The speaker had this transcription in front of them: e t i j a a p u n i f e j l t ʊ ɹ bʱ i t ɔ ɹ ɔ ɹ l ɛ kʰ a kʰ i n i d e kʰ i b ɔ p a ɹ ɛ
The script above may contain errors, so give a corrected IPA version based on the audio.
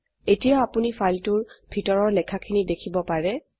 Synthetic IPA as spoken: e t i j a a p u n i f a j l t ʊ ɹ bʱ i t ɔ ɹ ɔ ɹ l ɛ kʰ a kʰ i n i d e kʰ i b ɔ p a ɹ ɛ